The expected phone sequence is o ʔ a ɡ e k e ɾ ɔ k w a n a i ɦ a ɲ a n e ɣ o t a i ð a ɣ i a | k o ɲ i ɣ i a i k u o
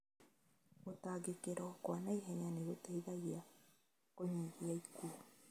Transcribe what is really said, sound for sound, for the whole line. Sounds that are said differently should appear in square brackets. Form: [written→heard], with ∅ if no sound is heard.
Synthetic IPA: o [ʔ→t] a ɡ e k e ɾ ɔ k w a n a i ɦ [a→ɛ] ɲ a n e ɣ o t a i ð a ɣ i a | k o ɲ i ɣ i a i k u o